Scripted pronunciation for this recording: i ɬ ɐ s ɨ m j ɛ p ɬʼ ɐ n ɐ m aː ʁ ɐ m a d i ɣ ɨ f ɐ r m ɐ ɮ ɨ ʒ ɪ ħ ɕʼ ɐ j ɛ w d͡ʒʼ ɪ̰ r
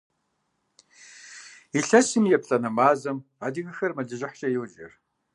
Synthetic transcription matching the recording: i ɬ ɐ s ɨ m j ɛ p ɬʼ ɐ n ɐ m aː z ɐ m a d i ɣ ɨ x ɐ r m ɐ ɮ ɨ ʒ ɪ ħ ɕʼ ɐ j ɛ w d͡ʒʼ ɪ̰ r